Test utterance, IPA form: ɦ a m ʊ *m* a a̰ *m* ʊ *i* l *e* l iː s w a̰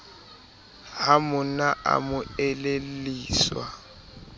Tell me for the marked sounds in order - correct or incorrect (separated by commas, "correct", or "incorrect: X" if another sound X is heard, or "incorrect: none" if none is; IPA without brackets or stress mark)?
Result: incorrect: n, correct, incorrect: ɛ, correct